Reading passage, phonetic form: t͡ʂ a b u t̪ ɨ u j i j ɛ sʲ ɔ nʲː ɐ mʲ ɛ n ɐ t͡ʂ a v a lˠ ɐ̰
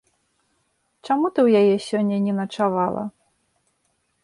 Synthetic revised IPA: t͡ʂ a m u t̪ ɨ w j a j ɛ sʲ ɔ nʲː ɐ nʲ ɛ n ɐ t͡ʂ a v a lˠ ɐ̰